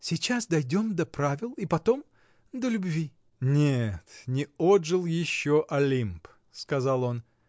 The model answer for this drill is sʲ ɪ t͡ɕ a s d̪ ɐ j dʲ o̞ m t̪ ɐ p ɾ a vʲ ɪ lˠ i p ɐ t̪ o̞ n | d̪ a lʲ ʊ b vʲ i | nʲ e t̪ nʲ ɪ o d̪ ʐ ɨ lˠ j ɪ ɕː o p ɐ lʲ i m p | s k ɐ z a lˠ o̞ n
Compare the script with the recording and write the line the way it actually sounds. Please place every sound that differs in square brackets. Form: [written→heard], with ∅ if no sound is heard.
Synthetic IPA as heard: sʲ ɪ t͡ɕ a s d̪ ɐ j dʲ o̞ m [t̪→d̪] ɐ p ɾ a vʲ ɪ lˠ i p ɐ t̪ o̞ [n→m] | d̪ [a→ə] lʲ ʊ b vʲ i | nʲ e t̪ nʲ ɪ o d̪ ʐ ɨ lˠ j ɪ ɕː o [p→ʔ] ɐ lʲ i m p | s k ɐ z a lˠ o̞ n